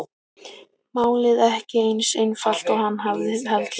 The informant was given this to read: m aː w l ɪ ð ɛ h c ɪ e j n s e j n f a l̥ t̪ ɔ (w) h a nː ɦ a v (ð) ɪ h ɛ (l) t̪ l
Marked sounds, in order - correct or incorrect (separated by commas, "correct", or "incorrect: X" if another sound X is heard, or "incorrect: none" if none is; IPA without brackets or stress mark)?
incorrect: ɣ, correct, correct